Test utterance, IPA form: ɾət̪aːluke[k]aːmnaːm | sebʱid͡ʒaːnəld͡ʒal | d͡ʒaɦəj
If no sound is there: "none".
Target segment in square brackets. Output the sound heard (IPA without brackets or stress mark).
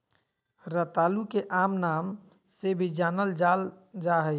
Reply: ʔ